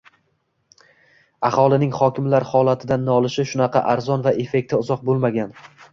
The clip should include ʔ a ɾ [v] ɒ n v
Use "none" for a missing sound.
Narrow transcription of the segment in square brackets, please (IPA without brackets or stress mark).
z